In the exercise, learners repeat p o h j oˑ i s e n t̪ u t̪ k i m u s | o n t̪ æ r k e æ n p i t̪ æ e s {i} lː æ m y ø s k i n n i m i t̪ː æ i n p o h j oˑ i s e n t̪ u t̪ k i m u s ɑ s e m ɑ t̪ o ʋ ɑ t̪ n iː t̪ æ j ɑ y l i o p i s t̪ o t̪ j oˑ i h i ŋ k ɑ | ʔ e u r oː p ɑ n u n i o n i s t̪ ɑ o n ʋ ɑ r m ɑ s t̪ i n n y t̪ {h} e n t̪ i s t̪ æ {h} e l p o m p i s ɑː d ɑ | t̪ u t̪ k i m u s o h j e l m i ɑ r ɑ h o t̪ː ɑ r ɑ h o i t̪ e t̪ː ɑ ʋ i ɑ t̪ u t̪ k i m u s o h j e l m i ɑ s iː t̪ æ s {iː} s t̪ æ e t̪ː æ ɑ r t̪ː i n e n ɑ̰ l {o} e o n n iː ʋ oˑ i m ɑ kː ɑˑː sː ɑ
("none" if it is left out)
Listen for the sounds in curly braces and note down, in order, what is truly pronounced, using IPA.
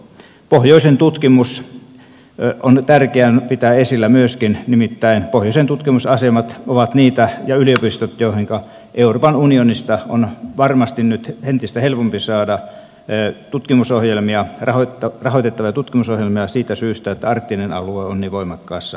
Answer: i, h, h, yː, u

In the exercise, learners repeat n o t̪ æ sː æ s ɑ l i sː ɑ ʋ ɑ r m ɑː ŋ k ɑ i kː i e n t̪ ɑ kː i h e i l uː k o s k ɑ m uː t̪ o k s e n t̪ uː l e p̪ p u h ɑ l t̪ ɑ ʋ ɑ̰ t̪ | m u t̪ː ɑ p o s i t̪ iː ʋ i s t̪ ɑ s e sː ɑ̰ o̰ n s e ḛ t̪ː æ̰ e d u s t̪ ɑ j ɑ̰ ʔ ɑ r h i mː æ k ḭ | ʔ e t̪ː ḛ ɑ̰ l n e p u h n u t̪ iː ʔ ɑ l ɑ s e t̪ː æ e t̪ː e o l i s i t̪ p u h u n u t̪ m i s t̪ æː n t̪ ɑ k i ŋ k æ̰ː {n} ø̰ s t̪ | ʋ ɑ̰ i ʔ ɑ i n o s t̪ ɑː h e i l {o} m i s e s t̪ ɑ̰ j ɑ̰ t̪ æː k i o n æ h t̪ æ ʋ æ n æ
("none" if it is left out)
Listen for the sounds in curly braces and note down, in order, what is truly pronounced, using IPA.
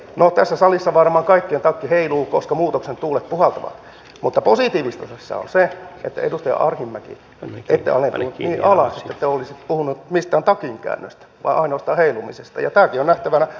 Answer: nː, u

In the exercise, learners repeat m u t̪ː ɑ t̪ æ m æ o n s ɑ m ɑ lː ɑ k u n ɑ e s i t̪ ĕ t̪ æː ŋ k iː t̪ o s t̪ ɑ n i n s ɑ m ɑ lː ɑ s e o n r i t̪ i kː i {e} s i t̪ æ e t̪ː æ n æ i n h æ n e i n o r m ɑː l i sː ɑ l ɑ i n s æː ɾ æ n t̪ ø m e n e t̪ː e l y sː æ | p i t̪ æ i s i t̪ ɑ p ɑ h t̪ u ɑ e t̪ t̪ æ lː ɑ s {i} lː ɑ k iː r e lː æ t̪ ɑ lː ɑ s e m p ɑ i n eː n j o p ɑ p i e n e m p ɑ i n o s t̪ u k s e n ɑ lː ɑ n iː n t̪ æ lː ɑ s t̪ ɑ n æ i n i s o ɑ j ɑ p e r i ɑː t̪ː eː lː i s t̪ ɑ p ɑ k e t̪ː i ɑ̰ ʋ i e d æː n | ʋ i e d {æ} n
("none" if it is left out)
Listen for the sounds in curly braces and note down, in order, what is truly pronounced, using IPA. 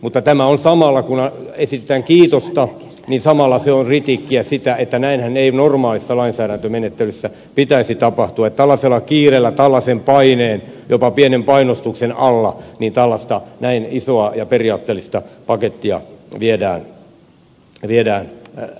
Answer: æ, e, æː

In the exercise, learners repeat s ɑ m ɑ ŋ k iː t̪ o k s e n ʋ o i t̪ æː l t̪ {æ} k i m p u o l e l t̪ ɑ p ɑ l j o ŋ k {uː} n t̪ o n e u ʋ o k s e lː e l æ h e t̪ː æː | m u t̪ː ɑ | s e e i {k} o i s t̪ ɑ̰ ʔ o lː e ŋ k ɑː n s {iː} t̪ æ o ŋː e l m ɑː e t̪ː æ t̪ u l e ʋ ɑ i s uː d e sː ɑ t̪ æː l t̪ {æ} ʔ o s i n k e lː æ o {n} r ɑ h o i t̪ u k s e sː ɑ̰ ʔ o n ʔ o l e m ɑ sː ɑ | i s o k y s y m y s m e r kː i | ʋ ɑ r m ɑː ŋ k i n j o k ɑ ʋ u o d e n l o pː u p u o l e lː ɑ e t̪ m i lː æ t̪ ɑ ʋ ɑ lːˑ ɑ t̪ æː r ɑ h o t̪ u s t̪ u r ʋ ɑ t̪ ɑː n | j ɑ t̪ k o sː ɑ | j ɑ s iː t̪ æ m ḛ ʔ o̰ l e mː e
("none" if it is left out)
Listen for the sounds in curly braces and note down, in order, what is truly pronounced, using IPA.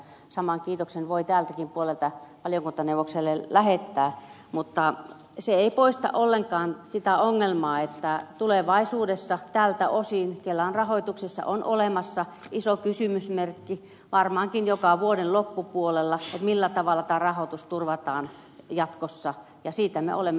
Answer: æ, u, p, i, æ, n

